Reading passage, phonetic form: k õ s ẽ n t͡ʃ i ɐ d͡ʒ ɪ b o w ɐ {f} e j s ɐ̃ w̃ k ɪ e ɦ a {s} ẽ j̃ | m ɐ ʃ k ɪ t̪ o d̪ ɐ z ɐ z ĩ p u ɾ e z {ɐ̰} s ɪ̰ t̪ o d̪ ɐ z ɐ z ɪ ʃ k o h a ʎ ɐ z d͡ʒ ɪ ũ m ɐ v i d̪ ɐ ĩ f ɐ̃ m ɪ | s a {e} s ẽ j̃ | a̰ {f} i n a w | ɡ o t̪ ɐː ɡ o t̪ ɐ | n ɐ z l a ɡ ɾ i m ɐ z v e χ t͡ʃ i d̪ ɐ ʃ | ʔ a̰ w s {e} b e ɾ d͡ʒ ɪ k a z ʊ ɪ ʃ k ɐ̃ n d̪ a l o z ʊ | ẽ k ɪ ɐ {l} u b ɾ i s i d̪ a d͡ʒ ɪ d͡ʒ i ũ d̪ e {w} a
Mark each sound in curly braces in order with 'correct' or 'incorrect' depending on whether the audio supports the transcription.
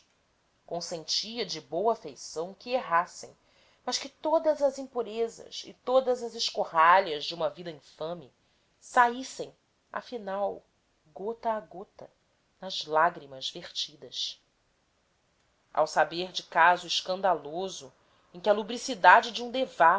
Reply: correct, correct, correct, incorrect: i, correct, incorrect: a, correct, incorrect: v

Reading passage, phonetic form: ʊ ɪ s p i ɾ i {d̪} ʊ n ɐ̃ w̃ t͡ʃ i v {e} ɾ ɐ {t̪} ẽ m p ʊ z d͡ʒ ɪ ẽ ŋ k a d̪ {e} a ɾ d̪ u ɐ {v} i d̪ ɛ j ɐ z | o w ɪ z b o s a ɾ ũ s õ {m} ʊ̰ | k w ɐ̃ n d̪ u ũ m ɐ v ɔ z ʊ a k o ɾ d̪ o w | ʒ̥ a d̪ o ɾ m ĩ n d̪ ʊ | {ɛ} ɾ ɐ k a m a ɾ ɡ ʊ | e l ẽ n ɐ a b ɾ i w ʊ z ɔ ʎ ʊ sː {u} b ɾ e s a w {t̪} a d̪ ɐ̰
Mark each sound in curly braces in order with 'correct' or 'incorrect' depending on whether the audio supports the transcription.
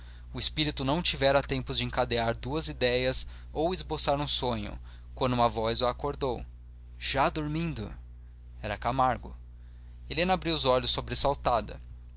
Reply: incorrect: t̪, incorrect: ɛ, correct, correct, incorrect: z, incorrect: ɲ, correct, incorrect: o, correct

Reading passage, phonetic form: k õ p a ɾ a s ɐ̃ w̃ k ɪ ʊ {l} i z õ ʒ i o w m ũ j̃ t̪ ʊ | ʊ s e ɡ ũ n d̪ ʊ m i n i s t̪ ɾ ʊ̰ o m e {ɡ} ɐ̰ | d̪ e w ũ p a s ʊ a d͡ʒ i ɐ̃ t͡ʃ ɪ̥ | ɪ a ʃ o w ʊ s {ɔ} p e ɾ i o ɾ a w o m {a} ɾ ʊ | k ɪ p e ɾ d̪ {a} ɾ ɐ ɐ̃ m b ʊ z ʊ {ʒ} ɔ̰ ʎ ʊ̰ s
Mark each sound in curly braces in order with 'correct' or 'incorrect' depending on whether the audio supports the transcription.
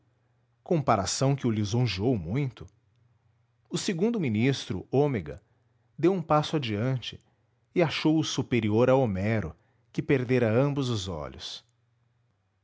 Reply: correct, correct, incorrect: u, incorrect: ɛ, incorrect: e, incorrect: z

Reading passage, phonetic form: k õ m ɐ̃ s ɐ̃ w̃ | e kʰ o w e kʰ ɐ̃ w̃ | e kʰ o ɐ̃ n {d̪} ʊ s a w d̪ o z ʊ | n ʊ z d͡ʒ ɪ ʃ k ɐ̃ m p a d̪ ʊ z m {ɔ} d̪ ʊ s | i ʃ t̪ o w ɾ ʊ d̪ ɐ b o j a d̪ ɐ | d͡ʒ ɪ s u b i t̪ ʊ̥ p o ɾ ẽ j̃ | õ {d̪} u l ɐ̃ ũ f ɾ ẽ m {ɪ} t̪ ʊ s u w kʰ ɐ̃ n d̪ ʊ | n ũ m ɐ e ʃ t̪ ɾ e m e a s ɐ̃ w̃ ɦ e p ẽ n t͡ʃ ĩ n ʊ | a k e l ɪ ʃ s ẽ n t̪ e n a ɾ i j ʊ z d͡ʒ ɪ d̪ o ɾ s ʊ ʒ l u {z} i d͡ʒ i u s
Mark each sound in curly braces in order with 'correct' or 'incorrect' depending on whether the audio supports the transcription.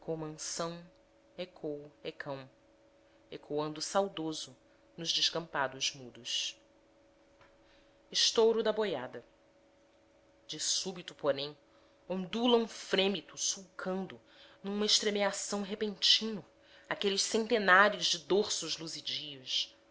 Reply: correct, incorrect: u, correct, incorrect: i, correct

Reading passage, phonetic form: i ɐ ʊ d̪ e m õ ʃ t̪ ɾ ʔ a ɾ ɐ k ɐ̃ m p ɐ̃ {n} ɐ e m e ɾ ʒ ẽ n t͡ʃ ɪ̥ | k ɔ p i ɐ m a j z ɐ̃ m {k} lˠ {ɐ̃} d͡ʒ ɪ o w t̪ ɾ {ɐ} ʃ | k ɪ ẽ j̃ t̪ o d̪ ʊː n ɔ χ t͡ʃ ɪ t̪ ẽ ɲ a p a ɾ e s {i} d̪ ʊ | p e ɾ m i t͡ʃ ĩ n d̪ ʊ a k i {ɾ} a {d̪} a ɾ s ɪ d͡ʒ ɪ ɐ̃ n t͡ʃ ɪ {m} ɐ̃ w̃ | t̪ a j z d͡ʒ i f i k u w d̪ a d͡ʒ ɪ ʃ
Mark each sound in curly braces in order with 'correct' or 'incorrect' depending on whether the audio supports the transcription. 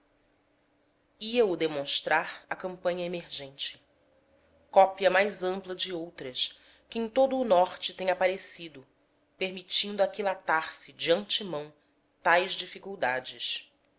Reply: incorrect: ɲ, incorrect: p, incorrect: ɐ, correct, correct, incorrect: l, incorrect: t̪, correct

